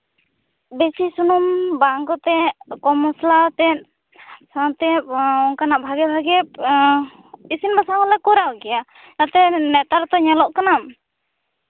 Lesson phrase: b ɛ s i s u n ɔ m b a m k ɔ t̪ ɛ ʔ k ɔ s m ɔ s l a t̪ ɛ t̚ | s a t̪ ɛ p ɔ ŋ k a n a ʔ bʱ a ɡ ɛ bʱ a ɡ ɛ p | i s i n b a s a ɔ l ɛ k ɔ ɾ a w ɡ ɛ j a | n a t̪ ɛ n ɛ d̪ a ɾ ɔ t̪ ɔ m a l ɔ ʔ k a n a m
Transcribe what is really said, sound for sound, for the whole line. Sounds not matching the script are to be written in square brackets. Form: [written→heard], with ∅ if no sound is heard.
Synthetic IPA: b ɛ s i s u n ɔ m b a [m→ŋ] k ɔ t̪ ɛ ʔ k ɔ [s→∅] m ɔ s l a t̪ ɛ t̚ | s a t̪ ɛ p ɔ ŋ k a n a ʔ bʱ a ɡ ɛ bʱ a ɡ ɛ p | i s i n b a s a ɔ l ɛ k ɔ ɾ a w ɡ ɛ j a | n a t̪ ɛ n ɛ [d̪→t̪] a ɾ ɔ t̪ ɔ [m→ɲ] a l ɔ ʔ k a n a m